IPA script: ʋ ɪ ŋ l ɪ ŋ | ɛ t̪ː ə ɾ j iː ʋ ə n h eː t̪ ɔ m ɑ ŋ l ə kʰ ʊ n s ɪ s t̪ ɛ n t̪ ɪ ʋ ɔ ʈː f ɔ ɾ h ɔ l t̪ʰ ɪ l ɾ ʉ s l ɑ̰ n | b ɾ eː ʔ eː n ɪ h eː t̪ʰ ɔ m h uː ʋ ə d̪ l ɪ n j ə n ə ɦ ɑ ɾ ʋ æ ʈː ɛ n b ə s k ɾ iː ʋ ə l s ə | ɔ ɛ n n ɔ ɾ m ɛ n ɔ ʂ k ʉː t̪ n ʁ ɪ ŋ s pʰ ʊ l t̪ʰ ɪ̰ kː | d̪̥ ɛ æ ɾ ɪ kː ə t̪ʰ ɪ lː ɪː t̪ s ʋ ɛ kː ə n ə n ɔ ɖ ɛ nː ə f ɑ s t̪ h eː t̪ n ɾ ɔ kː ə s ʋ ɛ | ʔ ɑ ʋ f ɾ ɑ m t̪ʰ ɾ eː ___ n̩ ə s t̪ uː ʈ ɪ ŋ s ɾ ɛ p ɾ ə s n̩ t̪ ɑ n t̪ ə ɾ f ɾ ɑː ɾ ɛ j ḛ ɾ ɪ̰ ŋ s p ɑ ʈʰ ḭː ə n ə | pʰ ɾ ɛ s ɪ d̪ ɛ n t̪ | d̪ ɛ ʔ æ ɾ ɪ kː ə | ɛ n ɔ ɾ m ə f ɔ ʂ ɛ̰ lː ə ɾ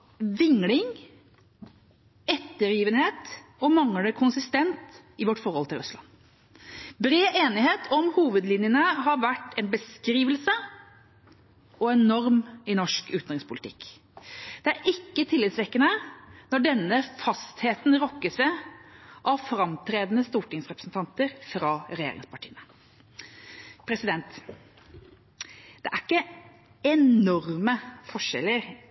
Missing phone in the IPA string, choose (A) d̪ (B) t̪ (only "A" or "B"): A